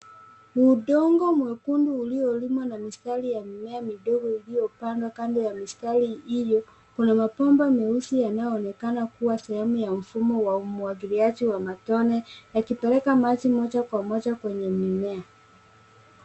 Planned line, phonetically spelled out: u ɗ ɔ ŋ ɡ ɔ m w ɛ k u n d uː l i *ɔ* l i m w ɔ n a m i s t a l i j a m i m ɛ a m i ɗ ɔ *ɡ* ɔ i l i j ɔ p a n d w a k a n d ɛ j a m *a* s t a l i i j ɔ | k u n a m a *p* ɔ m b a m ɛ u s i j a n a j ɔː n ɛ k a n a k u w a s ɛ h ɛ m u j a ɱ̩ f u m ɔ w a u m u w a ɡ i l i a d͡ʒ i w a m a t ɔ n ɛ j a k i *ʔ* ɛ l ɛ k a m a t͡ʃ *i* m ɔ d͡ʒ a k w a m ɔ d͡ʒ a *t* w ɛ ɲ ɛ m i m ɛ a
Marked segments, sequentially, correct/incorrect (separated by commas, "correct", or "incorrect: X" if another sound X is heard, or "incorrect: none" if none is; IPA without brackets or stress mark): correct, correct, incorrect: i, correct, incorrect: p, correct, incorrect: k